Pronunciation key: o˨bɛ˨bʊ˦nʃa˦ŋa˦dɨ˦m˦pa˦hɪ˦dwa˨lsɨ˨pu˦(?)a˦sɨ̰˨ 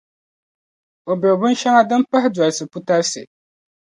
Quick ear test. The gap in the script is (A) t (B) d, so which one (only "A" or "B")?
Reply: A